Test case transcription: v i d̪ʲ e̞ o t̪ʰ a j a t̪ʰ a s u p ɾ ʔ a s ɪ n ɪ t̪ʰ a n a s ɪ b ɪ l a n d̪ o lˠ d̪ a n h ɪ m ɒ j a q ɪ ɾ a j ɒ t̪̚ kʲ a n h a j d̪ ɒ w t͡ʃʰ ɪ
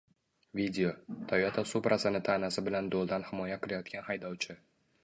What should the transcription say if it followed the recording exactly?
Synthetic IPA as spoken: v i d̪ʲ e̞ o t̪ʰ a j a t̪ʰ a s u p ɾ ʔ a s ɪ n ɪ t̪ʰ a n a s ɪ b ɪ l a n d̪ o lˠ d̪ a n h ɪ m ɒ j a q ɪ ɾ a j ɒ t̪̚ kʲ a n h a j d̪ ɒ w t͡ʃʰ ɪ